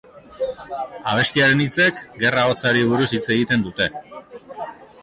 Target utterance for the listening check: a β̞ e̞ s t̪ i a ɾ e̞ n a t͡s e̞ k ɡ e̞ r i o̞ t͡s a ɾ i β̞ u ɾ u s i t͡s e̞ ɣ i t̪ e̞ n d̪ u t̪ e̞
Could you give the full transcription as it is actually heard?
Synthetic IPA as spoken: a β̞ e̞ s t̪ i a ɾ e̞ n i t͡s e̞ k ɡ e̞ r a o̞ t͡s a ɾ i β̞ u ɾ u s i t͡s e̞ ɣ i t̪ e̞ n d̪ u t̪ e̞